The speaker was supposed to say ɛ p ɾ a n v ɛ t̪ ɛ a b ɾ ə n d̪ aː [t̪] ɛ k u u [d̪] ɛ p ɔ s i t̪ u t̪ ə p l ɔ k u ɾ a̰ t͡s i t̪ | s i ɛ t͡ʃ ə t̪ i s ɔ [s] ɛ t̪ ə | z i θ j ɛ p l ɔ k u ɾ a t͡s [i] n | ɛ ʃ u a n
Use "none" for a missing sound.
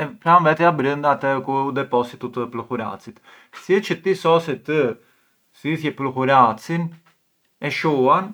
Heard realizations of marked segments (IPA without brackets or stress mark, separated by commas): t̪, d̪, s, i